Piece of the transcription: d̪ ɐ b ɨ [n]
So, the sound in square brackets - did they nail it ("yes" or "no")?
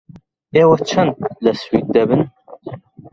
yes